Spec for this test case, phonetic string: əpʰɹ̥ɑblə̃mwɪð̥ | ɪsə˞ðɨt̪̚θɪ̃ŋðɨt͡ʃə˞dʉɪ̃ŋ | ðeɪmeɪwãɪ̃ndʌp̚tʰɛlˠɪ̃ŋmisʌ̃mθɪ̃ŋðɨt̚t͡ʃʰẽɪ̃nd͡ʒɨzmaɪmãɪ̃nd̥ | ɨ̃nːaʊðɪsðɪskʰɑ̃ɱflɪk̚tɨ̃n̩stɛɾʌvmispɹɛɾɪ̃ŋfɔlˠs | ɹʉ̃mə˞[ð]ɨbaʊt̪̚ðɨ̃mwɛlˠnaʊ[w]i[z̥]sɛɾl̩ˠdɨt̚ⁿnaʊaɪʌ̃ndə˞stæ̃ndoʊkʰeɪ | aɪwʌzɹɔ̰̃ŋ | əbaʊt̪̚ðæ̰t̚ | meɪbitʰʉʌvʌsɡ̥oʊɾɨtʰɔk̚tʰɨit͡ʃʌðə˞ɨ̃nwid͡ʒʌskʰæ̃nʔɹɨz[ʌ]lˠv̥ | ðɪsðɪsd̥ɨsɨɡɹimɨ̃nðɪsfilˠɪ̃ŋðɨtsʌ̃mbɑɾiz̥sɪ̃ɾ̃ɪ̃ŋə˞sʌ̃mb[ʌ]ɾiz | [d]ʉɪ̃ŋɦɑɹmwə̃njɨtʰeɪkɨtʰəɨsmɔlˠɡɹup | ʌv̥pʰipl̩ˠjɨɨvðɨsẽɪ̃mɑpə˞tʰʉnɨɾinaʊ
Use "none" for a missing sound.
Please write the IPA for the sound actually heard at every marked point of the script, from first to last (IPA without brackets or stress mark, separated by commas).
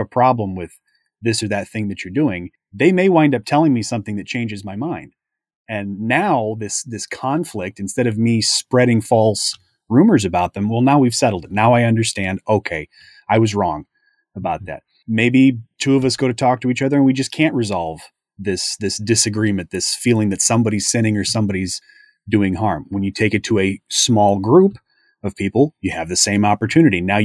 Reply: z, w, v̥, ɑ, ɑ, d